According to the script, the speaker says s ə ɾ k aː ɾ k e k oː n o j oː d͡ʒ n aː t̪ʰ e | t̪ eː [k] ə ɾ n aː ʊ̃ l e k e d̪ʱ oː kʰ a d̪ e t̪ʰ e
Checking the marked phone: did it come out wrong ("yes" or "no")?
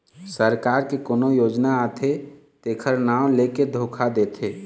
yes